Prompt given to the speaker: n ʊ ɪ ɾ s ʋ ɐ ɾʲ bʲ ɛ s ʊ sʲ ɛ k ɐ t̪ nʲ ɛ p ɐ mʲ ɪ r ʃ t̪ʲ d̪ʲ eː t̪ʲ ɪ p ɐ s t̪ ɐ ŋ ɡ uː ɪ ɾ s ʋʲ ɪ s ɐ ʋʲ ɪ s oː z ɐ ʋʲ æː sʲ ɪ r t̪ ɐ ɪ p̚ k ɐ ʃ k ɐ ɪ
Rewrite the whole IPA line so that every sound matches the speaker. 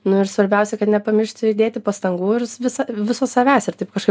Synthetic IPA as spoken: n ʊ ɪ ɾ s ʋ ɐ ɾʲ bʲ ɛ ʊ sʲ ɛ k ɐ t̪ nʲ ɛ p ɐ mʲ ɪ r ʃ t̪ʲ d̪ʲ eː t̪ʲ ɪ p ɐ s t̪ ɐ ŋ ɡ uː ɪ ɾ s ʋʲ ɪ s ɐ ʋʲ ɪ s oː s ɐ ʋʲ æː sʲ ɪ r t̪ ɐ ɪ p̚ k ɐ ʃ k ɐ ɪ